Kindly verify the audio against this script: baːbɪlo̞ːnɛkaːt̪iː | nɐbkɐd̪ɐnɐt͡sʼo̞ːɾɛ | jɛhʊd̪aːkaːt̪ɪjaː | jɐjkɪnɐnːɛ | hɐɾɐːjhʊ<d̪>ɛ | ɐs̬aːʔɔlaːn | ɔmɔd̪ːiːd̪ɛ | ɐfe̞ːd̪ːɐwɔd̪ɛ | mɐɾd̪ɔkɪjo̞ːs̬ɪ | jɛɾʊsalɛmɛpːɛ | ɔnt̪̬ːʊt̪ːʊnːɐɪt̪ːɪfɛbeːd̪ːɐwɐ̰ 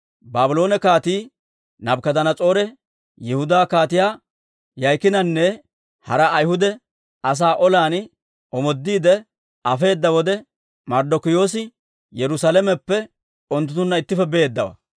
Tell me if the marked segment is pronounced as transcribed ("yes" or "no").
yes